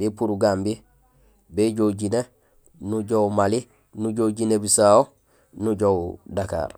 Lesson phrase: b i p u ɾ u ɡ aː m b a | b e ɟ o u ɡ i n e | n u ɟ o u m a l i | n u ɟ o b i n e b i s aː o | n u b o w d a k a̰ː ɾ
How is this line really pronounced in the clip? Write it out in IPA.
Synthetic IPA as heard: b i p u ɾ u ɡ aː m b i | b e ɟ o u ɟ i n e | n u ɟ o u m a l i | n u ɟ o ɟ i n e b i s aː o | n u ɟ o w d a k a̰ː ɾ